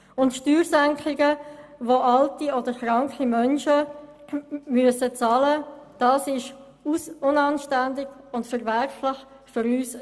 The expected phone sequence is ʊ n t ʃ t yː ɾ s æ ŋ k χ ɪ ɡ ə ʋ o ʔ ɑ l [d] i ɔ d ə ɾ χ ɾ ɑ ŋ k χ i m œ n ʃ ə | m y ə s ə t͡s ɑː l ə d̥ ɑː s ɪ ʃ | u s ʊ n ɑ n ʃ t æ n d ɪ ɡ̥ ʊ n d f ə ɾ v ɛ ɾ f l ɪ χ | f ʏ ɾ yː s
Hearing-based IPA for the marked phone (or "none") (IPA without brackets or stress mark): t